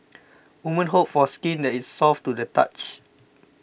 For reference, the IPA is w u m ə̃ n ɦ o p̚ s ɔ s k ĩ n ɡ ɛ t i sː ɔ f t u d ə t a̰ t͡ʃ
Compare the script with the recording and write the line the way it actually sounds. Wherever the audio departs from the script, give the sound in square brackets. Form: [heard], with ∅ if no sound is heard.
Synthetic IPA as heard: w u m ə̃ n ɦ o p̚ [f] ɔ s k ĩ n [d] ɛ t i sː ɔ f t u d ə t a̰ t͡ʃ

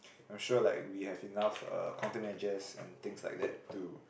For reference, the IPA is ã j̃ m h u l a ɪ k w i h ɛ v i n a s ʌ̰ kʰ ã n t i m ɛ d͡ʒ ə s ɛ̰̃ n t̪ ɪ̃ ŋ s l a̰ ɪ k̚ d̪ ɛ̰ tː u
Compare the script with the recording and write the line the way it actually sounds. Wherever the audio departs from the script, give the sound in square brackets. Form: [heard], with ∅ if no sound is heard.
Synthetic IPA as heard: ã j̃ m [ʃ] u l a ɪ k w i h ɛ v i n a [f] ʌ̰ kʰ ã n t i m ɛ d͡ʒ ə s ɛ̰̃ n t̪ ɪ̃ ŋ s l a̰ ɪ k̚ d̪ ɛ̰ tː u

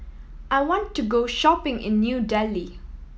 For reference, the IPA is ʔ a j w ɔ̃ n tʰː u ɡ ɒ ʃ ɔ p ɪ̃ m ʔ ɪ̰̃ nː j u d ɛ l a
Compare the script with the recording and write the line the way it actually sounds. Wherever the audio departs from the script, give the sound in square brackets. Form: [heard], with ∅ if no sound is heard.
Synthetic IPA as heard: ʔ a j w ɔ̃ n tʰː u ɡ [o] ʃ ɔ p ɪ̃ [ŋ] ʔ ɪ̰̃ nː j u d ɛ l [i]

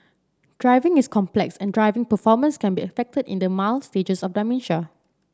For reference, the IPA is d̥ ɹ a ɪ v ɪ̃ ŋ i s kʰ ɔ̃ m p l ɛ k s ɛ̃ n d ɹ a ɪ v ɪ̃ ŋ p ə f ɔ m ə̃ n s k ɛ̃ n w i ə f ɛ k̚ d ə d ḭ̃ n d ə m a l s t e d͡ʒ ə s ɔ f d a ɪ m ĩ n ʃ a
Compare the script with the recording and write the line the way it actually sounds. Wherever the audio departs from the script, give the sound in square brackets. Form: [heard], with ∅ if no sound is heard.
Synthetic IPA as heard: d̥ ɹ a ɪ v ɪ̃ ŋ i s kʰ ɔ̃ m p l ɛ k s ɛ̃ n d ɹ a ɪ v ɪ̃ ŋ p ə f ɔ m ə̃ n s k ɛ̃ n [b] i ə f ɛ k̚ [t] ə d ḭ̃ n d ə m a l s t e d͡ʒ ə s ɔ f d a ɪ m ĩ n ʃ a

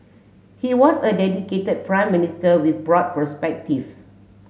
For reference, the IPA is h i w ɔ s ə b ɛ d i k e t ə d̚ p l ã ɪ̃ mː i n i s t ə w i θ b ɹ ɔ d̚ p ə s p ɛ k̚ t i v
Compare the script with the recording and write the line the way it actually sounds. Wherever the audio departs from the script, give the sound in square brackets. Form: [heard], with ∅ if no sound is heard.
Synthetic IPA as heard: h i w ɔ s ə [d] ɛ d i k e t ə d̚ p [ɹ] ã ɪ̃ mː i n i s t ə w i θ b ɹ ɔ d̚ p ə s p ɛ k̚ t i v

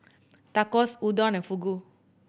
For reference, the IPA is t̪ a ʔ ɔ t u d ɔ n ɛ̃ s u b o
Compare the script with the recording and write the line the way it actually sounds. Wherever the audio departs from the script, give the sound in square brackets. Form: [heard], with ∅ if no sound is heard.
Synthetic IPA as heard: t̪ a [k] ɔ [s] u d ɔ n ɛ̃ [f] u [ɡ] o

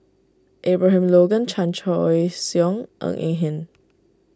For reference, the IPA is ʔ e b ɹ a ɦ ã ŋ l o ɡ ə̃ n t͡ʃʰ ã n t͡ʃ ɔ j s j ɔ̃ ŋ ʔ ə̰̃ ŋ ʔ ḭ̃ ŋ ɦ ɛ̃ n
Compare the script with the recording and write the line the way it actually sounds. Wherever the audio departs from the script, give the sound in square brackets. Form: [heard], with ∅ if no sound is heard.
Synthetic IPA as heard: ʔ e b ɹ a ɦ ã [m] l o ɡ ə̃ n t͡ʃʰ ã n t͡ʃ ɔ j s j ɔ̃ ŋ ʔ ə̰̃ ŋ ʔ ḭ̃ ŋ ɦ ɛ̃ n

